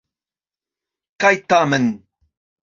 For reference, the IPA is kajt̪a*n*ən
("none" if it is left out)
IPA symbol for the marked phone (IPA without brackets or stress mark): m